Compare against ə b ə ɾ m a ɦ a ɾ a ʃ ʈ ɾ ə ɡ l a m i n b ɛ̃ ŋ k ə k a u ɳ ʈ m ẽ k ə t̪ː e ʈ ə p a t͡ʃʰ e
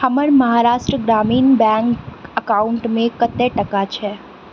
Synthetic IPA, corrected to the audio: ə m ə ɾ m ə ɦ a ɾ a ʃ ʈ ɾ ə ɡ ɾ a m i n b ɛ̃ ŋ k ə k a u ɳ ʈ m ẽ k ə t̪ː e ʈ ə k a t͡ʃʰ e